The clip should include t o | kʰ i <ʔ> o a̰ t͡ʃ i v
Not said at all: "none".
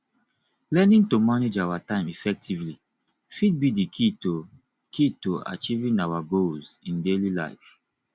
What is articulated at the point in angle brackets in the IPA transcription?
t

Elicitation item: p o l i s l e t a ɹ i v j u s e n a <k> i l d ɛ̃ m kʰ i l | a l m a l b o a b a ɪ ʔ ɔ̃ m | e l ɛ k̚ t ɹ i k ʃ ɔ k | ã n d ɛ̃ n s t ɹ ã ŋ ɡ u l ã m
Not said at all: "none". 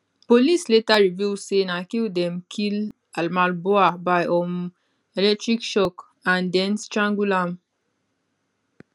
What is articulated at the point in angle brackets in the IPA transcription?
k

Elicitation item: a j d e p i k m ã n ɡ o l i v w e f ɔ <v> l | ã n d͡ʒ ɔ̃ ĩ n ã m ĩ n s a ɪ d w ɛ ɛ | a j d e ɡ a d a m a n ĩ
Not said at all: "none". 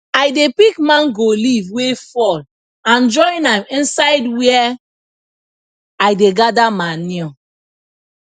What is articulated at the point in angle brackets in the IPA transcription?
none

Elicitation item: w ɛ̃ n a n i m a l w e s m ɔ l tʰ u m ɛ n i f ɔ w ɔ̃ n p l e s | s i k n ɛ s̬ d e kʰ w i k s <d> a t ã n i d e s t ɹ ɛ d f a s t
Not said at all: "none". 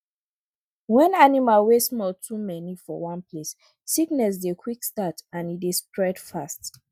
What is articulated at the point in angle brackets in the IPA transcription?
t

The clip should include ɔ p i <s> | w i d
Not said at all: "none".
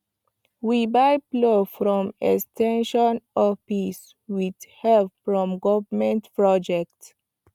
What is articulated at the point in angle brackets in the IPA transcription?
s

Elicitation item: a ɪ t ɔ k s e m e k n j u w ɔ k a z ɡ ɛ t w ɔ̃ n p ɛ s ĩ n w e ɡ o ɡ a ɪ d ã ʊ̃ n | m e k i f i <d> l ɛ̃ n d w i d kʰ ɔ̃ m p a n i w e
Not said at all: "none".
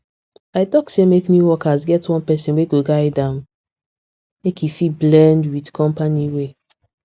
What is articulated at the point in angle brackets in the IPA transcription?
b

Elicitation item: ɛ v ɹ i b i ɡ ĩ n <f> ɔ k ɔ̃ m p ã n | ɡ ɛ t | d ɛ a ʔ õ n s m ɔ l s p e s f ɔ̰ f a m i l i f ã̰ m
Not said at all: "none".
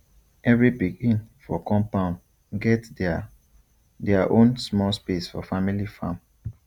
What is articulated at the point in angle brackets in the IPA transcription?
f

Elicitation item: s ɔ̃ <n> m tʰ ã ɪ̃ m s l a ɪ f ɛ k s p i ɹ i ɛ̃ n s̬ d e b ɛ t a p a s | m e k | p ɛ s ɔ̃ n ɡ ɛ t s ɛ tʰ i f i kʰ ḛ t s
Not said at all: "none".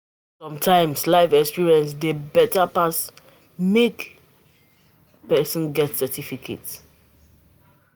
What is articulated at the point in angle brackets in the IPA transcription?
none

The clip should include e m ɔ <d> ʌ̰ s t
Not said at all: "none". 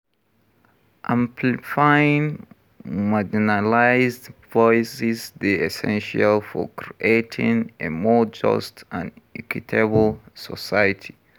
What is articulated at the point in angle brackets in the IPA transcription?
d͡ʒ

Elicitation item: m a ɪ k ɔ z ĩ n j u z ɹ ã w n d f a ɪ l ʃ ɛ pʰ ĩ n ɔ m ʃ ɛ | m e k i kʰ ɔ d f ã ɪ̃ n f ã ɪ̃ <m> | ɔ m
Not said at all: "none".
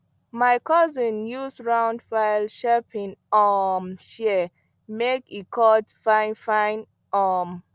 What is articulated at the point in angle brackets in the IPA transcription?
n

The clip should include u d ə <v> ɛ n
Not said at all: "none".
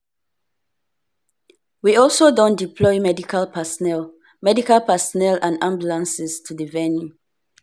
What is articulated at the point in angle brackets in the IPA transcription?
v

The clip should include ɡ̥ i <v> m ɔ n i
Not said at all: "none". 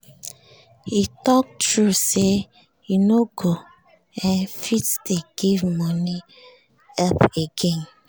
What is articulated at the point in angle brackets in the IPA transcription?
v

